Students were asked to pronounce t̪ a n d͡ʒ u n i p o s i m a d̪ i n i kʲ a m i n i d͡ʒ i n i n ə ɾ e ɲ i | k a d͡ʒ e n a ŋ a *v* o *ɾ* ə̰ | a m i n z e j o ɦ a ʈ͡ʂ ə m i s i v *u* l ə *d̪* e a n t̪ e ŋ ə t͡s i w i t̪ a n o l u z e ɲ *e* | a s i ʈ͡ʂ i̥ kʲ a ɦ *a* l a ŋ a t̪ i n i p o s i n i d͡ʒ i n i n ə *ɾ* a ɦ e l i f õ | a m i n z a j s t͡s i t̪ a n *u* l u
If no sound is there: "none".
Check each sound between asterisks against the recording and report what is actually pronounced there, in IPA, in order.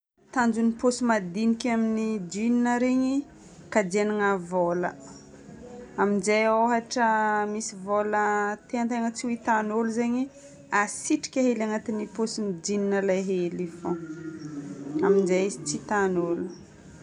v, l, o, t̪, i, e, l, o

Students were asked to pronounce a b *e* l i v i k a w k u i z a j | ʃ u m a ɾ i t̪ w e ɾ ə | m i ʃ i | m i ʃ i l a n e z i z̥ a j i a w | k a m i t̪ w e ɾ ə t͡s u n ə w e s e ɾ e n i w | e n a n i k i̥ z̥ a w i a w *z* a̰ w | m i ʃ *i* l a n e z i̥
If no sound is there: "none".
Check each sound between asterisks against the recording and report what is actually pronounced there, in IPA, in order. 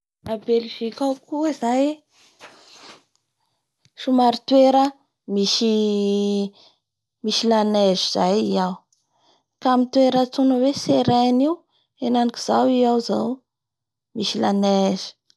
e, z, i

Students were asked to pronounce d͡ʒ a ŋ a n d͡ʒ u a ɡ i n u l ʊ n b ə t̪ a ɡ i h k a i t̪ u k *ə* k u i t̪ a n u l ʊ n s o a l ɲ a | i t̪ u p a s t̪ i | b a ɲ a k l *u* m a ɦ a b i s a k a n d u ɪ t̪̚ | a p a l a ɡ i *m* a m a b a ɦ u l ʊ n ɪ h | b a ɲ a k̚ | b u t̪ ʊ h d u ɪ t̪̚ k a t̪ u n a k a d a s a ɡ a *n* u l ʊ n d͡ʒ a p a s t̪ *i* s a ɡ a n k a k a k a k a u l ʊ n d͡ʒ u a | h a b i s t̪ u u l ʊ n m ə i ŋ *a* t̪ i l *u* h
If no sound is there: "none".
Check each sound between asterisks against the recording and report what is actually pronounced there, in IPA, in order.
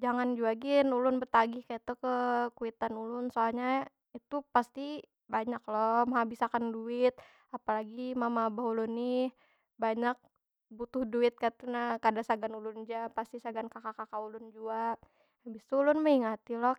ə, ɔ, m, n, i, a, ɔ

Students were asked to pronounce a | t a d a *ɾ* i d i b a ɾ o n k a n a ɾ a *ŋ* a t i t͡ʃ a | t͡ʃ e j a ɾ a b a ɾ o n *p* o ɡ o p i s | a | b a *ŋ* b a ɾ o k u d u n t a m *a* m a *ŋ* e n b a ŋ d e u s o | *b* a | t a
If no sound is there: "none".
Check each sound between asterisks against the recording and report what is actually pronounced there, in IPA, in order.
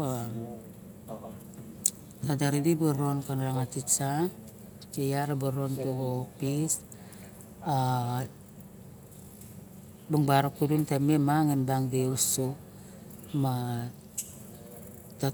ɾ, ŋ, t, ŋ, e, ŋ, m

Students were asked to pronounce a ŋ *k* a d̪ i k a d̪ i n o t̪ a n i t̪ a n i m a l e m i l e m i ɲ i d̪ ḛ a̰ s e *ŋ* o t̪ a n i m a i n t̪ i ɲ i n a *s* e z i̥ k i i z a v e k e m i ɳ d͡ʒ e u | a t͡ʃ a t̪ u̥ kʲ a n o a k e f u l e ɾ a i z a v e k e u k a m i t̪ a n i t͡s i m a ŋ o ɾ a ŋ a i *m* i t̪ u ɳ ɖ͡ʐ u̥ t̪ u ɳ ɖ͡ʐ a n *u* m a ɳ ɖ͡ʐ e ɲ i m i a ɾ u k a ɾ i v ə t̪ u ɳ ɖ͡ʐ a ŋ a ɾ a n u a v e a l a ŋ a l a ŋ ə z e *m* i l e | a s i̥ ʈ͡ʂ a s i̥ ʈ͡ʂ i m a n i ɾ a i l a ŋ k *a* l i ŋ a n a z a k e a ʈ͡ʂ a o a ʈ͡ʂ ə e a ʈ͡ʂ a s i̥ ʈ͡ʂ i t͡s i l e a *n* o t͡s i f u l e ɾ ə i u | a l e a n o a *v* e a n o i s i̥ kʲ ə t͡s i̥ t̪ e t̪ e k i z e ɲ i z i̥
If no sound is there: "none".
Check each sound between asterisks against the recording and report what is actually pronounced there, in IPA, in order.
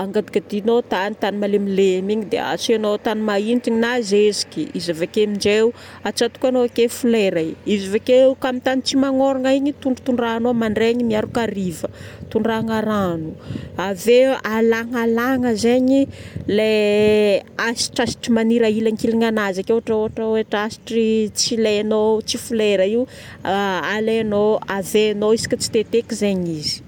ɡ, n, z, ɲ, o, ɲ, i, n, v

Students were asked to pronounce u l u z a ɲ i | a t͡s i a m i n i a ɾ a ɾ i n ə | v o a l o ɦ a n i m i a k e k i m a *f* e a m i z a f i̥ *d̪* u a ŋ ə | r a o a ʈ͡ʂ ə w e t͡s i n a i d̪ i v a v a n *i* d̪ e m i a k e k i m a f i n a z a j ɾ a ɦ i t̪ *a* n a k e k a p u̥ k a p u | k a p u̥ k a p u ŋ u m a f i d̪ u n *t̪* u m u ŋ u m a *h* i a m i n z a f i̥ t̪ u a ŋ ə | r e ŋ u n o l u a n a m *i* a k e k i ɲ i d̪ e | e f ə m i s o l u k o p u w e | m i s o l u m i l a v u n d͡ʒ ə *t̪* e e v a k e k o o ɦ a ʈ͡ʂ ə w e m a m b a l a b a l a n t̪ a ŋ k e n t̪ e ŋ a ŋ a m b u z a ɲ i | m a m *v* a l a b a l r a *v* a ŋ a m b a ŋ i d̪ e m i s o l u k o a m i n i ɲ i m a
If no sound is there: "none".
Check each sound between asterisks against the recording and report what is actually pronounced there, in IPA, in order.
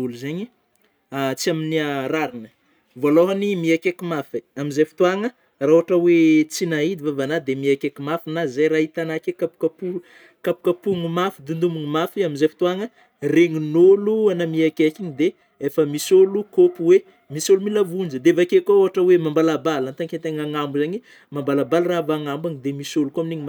f, t̪, a, a, d̪, f, i, d̪, b, v

